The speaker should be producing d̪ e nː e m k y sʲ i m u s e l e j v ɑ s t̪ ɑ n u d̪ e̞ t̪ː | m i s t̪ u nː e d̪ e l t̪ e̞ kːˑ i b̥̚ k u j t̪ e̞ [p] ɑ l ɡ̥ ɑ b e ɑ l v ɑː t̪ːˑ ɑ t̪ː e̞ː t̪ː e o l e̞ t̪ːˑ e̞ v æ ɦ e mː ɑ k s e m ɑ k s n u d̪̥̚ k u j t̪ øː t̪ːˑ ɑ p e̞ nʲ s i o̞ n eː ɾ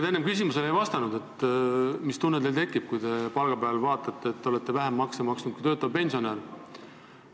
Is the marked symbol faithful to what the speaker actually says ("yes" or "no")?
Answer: yes